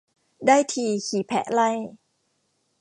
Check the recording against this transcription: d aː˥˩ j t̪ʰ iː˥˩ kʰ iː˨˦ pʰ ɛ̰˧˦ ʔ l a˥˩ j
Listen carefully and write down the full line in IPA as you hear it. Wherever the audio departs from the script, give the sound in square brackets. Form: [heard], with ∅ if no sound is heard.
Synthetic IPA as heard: d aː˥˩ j t̪ʰ [iː˧] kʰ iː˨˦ pʰ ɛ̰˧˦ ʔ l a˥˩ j